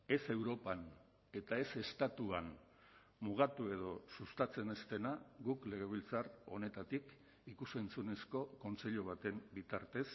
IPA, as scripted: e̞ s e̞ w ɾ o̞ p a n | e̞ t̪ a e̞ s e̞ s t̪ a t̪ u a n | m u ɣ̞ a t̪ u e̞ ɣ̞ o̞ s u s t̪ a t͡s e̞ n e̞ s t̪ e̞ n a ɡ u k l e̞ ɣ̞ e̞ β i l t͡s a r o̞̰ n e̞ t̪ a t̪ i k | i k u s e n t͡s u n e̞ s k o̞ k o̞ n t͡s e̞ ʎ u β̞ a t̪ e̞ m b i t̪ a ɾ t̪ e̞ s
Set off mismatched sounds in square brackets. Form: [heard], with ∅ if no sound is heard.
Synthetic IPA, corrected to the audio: e̞ s e̞ w ɾ o̞ p a n | e̞ t̪ a e̞ s e̞ s t̪ a t̪ u a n | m u ɣ̞ a t̪ u e̞ [ð̞] o̞ s u s t̪ a t͡s e̞ n e̞ s t̪ e̞ n a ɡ u k l e̞ ɣ̞ e̞ β i l t͡s a r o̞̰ n e̞ t̪ a t̪ i k | i k u s e n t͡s u n e̞ s k o̞ k o̞ n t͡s e̞ ʎ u β̞ a t̪ e̞ m b i t̪ a ɾ t̪ e̞ s